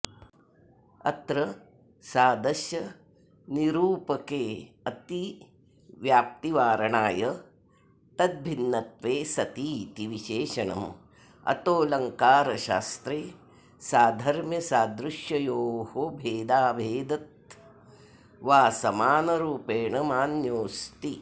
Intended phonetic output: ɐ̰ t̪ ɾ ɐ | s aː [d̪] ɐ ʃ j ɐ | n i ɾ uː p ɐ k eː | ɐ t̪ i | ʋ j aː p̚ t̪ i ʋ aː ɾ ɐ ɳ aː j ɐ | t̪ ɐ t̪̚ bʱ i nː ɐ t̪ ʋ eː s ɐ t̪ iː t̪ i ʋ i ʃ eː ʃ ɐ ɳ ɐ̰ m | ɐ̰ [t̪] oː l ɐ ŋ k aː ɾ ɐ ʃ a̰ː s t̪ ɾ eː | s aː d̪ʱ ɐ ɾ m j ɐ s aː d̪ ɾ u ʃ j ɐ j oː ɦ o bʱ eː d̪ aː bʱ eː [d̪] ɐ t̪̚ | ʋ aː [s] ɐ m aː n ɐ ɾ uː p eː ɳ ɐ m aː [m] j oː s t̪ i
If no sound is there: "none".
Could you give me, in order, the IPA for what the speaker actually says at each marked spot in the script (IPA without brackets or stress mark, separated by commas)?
d̪, t̪, d̪, s, n